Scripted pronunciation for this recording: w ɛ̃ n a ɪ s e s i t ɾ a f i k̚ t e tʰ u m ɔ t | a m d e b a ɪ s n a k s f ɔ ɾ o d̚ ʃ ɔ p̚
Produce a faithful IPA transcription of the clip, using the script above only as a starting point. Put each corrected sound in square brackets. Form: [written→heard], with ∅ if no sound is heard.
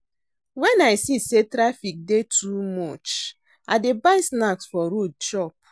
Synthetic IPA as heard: w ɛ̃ n a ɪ s [e→i] s [i→e] t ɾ a f i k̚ [t→d] e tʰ u m ɔ [t→t͡ʃ] | a [m→∅] d e b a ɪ s n a k s f ɔ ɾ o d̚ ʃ ɔ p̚